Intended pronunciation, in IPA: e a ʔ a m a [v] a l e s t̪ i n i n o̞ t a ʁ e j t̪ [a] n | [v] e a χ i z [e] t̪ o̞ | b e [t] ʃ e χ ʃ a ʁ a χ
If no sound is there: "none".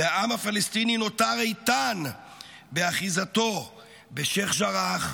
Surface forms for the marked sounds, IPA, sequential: f, a, b, a, none

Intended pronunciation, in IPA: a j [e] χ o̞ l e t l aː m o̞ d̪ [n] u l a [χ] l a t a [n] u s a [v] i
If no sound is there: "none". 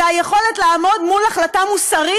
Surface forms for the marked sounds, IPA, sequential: e, m, χ, m, ʁ

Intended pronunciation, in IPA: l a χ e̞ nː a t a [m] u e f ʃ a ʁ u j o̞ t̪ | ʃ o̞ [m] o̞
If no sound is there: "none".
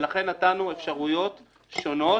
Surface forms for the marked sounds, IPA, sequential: n, n

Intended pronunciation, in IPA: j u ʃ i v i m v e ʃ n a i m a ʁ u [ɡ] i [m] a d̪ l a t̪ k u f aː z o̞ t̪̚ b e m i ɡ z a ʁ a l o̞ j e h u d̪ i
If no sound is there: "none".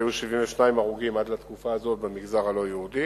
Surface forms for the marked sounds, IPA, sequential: ɡ, m

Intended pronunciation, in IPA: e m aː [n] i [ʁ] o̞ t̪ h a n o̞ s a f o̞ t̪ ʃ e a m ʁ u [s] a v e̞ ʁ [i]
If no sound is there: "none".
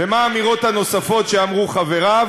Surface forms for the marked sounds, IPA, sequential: m, ʁ, χ, a

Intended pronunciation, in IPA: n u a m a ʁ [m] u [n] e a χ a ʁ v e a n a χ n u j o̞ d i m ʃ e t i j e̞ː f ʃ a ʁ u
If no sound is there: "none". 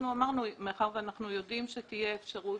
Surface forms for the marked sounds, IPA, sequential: n, m

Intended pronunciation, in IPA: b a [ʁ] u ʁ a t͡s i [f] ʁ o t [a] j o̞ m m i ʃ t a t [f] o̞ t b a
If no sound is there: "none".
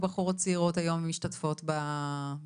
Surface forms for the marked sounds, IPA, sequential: χ, none, a, f

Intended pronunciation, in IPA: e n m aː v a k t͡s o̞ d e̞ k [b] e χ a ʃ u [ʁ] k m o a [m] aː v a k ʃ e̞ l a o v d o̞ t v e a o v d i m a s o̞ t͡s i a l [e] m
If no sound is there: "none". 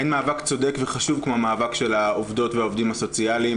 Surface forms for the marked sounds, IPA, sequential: v, v, m, i

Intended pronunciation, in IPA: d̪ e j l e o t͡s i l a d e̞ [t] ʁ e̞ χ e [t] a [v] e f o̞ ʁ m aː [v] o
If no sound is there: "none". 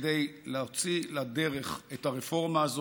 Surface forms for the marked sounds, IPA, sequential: none, t, ʁ, z

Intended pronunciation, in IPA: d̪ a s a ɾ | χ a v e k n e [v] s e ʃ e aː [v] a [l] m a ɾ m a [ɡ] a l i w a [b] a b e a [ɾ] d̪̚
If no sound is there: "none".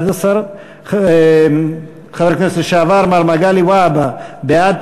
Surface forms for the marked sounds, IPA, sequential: none, v, ɾ, ɡ, b, none

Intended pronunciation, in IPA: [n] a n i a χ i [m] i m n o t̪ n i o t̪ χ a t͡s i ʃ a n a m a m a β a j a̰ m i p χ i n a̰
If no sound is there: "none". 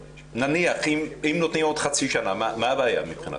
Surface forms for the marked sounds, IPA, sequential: n, m

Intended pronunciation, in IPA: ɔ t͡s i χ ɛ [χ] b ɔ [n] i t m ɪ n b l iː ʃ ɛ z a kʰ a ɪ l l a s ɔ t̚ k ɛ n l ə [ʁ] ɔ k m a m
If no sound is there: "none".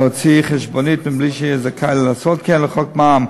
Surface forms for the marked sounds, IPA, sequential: ʃ, n, χ

